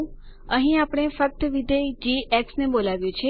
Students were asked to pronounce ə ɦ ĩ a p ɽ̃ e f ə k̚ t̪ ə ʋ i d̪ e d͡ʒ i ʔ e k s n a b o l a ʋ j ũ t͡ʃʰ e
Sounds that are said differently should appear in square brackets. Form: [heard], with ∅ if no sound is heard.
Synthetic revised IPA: ə ɦ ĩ a p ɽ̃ e f ə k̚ t̪ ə ʋ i d̪ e d͡ʒ i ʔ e k s n [e] b o l a ʋ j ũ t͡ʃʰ e